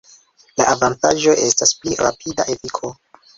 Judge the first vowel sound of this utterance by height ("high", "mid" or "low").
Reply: low